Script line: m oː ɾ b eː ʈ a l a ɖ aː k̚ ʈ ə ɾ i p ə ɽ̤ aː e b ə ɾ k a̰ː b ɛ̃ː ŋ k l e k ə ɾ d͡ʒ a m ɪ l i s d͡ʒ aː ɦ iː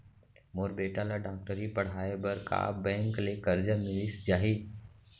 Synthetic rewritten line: m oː ɾ b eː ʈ a l a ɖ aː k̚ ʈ ə ɾ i p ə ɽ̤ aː e b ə ɾ k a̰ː b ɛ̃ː ŋ k l e k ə ɾ d͡ʒ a m ɪ l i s d͡ʒ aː ɦ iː